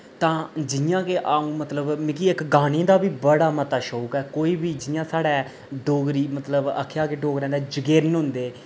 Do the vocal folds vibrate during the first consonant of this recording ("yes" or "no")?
no